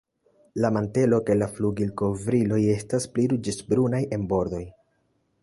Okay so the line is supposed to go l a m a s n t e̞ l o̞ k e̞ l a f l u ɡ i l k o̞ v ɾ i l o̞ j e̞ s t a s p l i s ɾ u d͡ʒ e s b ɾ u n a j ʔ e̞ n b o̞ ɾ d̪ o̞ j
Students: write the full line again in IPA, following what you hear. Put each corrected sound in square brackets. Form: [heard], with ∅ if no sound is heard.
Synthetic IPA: l a m a [∅] n t e̞ l o̞ k e̞ l a f l u ɡ i l k o̞ v ɾ i l o̞ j e̞ s t a s p l i [∅] ɾ u d͡ʒ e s b ɾ u n a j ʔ e̞ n b o̞ ɾ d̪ o̞ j